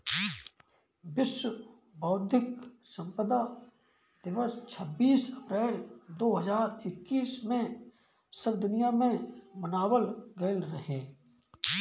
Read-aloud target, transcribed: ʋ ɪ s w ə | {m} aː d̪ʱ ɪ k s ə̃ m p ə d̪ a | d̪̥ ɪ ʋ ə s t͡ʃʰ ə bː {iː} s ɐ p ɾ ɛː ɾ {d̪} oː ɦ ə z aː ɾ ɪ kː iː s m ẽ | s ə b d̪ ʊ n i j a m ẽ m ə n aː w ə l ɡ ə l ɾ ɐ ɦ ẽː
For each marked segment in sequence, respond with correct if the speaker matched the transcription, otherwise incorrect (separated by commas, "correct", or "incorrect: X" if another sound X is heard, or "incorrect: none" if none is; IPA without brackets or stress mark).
incorrect: b, correct, correct